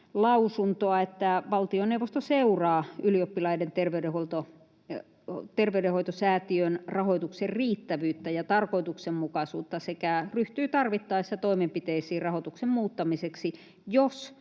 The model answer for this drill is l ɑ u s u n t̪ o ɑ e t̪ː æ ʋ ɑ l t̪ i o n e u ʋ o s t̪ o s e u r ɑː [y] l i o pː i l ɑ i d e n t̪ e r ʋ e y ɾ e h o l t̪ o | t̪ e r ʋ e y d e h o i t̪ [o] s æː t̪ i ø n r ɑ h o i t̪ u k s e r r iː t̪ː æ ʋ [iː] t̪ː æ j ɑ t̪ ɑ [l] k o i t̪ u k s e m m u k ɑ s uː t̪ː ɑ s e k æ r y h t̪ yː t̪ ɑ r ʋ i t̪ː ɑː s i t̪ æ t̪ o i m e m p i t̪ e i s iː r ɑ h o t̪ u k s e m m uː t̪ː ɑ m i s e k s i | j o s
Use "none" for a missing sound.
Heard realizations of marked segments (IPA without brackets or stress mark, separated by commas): y, o, yː, r